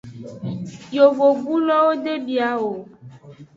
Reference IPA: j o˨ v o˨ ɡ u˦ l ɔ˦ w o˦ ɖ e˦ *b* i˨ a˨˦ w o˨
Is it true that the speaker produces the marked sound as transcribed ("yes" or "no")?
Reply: yes